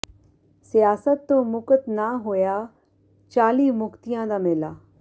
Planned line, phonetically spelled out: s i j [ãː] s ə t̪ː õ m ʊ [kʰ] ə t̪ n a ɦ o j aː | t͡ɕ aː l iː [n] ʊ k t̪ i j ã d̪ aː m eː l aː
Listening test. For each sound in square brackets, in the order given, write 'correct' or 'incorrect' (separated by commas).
incorrect, incorrect, incorrect